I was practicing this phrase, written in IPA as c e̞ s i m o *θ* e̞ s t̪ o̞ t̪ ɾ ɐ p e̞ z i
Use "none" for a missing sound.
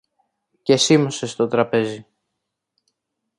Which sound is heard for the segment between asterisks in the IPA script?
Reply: s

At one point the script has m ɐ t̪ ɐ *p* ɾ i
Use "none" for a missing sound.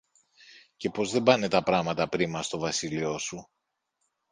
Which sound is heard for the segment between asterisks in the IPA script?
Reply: p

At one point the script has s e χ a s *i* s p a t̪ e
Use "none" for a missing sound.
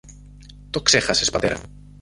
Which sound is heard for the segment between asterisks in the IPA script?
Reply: e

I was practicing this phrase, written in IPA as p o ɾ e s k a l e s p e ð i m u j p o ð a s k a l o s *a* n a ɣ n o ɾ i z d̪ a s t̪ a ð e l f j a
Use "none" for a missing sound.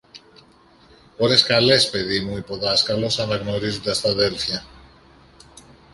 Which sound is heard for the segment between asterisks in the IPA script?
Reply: a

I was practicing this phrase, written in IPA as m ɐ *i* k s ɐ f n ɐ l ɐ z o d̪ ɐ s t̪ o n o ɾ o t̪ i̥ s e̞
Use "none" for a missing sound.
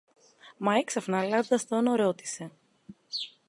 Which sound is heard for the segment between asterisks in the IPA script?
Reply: e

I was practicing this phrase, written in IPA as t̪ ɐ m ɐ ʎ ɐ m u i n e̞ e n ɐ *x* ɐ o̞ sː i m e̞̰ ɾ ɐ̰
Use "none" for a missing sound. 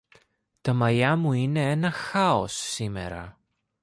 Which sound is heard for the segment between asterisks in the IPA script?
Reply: x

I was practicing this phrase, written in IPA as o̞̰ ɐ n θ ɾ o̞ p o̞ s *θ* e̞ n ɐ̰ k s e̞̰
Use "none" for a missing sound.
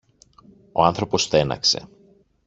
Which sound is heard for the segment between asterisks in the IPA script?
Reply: θ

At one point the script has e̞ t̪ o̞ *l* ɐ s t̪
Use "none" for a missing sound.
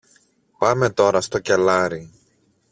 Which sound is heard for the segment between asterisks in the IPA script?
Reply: ɾ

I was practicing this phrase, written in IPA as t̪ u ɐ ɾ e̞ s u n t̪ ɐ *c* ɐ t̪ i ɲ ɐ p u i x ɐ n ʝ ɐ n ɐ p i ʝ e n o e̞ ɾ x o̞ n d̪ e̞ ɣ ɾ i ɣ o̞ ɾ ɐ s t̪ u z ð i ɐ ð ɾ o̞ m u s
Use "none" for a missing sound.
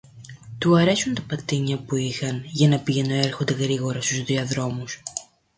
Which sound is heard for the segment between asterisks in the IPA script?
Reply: p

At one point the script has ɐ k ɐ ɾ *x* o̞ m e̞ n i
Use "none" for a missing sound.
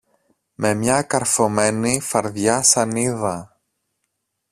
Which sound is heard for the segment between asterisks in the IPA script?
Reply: f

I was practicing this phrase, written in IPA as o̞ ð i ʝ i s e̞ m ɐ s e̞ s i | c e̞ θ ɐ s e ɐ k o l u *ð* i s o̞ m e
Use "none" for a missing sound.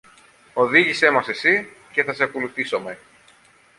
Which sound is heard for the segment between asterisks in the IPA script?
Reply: θ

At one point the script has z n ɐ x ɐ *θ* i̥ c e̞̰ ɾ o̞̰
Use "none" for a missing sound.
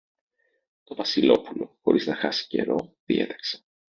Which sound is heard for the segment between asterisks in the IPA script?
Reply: s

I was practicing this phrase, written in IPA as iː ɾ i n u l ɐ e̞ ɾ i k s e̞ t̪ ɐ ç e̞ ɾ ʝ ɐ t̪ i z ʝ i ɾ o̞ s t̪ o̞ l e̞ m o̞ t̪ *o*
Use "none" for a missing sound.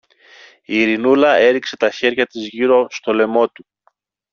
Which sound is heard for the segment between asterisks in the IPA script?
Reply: u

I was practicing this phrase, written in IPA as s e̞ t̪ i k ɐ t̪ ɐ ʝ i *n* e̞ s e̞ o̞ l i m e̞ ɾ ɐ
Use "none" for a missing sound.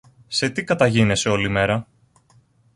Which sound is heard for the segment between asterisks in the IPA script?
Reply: n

